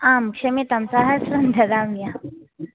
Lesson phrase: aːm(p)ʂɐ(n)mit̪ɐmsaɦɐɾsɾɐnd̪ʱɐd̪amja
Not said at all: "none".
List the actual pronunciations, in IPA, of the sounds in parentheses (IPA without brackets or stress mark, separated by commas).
k, none